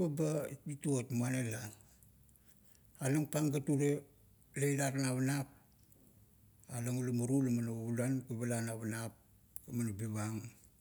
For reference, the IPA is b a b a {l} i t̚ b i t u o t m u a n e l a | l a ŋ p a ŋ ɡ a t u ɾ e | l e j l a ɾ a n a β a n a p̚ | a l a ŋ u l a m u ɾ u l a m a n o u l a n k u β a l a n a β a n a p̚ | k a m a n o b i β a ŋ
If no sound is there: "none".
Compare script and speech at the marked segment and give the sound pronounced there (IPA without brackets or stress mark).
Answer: none